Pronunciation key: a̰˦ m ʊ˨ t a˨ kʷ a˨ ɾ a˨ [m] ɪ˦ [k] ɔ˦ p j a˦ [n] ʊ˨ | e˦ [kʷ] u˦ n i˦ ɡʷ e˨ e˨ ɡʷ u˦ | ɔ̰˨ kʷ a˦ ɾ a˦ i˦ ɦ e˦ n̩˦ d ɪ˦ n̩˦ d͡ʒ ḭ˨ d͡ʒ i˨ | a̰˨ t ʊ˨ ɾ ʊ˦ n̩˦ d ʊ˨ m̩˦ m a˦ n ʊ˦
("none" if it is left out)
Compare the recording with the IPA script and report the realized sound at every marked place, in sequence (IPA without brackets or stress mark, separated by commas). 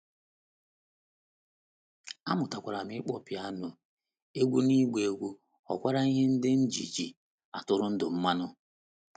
m, k͡p, n, ɡʷ